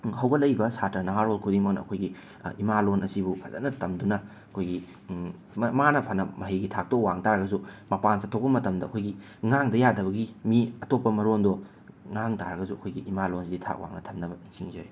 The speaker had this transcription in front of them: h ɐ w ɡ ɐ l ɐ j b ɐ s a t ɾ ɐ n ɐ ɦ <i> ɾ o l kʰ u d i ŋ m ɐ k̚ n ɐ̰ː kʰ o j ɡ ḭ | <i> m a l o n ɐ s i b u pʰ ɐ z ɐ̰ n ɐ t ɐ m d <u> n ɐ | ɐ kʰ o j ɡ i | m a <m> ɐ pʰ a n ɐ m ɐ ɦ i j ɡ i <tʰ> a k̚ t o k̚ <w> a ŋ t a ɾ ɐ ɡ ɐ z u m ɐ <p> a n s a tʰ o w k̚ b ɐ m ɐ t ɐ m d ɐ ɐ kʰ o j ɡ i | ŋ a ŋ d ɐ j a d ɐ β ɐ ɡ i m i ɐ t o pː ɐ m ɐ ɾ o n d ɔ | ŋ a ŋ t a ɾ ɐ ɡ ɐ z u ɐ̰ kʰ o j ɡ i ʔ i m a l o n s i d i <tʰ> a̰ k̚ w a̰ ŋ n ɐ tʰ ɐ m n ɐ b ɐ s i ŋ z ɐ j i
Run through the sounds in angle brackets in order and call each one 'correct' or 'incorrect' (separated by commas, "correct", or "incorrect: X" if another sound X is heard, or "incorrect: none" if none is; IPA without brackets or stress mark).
incorrect: a, correct, correct, incorrect: n, correct, correct, correct, correct